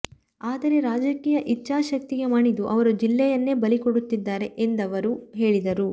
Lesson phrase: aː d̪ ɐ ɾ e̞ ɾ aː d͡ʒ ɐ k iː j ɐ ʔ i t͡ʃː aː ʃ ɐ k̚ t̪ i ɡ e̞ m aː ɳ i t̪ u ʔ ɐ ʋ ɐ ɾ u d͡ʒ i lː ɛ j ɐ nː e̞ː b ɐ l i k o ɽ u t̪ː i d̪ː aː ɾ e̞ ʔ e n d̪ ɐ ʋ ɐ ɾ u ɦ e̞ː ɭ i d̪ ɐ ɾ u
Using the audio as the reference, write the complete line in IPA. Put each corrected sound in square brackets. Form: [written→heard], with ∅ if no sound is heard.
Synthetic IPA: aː d̪ ɐ ɾ e̞ ɾ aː d͡ʒ ɐ k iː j ɐ ʔ i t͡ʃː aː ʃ ɐ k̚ t̪ i ɡ e̞ m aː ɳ i [t̪→d̪] u ʔ ɐ ʋ ɐ ɾ u d͡ʒ i lː ɛ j ɐ nː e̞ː b ɐ l i k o ɽ u t̪ː i d̪ː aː ɾ e̞ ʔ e n d̪ ɐ ʋ ɐ ɾ u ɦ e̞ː ɭ i d̪ ɐ ɾ u